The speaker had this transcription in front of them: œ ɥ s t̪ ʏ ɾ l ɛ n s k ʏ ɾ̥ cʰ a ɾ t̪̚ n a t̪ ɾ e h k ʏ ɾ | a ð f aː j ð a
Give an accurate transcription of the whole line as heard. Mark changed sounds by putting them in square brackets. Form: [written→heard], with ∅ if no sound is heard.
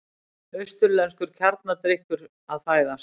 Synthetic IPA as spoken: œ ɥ s t̪ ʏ ɾ l ɛ n s k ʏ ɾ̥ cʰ a ɾ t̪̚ n a t̪ ɾ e h k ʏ ɾ | a ð f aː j ð a

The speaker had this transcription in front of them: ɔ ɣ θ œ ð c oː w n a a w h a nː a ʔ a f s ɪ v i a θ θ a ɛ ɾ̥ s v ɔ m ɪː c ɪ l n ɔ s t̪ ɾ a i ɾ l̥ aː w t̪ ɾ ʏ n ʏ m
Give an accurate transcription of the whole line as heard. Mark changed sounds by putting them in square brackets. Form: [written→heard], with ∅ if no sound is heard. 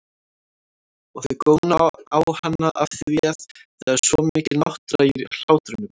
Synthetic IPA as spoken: ɔ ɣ θ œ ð [c→k] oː w n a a w h a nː a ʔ a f [s→θ] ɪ v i a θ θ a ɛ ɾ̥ s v ɔ m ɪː c ɪ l n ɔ [s→h] t̪ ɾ a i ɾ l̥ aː w t̪ ɾ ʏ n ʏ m

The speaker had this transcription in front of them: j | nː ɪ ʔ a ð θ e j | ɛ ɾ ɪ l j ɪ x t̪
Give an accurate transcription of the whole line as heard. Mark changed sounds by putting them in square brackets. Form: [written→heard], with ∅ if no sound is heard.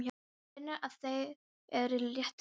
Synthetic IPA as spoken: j | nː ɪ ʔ a ð θ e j | ɛ ɾ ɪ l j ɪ [x→h] t̪

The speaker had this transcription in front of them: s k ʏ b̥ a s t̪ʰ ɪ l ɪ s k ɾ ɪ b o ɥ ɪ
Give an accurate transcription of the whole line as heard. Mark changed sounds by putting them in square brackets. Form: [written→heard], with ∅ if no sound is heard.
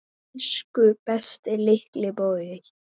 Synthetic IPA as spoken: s k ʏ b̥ [a→ɛ] s [t̪ʰ→t̪] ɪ l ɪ [s→h] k [ɾ→l] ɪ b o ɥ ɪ

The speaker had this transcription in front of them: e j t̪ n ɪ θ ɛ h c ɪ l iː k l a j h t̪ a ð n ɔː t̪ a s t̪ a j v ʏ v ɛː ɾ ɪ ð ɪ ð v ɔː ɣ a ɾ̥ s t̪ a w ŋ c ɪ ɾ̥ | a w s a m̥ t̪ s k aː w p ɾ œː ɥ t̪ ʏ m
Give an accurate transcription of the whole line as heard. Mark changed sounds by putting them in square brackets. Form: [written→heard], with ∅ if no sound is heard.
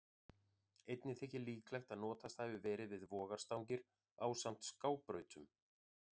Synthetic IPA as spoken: e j t̪ n ɪ θ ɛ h c ɪ l iː k l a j [h→x] t̪ a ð n ɔː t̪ a s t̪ a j v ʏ v ɛː ɾ ɪ [ð→v] ɪ ð v ɔː ɣ a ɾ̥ s t̪ a w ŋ c ɪ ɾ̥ | a w s a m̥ t̪ s k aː w p ɾ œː ɥ t̪ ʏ m

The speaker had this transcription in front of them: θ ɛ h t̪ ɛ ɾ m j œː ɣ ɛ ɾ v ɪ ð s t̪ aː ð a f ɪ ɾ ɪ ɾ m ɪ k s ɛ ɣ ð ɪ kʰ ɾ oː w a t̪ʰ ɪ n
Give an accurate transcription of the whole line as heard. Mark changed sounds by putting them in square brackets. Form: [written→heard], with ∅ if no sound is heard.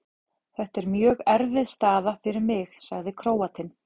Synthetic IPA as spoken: θ ɛ h t̪ ɛ ɾ m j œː ɣ ɛ ɾ v ɪ ð s t̪ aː ð a f ɪ ɾ ɪ ɾ m ɪ [k→x] s [ɛ→a] ɣ ð ɪ kʰ ɾ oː w a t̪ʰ ɪ n

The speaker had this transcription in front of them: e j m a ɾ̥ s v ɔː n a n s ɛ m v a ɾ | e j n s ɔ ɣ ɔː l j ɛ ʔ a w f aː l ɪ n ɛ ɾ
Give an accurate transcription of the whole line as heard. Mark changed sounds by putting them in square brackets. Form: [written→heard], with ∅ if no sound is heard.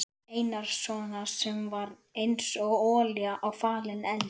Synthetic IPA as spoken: e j [m→n] a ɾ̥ s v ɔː n a [n→∅] s ɛ m v a ɾ | e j n s ɔ ɣ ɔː l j [ɛ→a] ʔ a w f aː l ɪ n ɛ [ɾ→l]

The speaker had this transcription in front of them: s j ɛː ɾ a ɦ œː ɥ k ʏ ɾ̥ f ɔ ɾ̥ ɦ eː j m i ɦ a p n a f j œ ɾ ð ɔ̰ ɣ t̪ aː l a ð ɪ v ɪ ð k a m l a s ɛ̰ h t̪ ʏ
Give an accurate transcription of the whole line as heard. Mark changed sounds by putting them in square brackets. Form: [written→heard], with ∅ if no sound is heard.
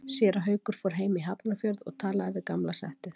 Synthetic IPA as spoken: s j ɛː ɾ a ɦ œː ɥ k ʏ ɾ̥ f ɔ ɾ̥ ɦ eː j m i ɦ a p n a f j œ ɾ ð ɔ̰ ɣ [t̪→t̪ʰ] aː l a ð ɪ v ɪ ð k a m l a s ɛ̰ h t̪ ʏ

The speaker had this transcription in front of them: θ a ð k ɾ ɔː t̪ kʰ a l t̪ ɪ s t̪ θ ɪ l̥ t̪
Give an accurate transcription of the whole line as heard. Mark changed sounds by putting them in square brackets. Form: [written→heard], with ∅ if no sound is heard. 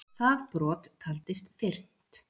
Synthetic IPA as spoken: θ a ð [k→p] ɾ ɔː t̪ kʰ a l t̪ ɪ s t̪ [θ→f] ɪ [l̥→r̥] t̪

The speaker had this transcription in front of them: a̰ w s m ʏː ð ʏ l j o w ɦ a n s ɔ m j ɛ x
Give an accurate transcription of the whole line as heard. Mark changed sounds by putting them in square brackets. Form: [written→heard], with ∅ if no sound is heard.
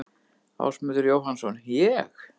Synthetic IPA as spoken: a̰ w s m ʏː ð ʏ [l→ɾ] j o w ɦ a n s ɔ [m→n] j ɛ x

